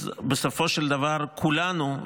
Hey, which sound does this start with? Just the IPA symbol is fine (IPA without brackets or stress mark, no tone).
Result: b